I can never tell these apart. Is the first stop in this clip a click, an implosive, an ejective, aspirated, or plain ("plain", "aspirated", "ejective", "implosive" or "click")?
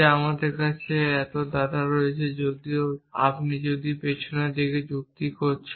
plain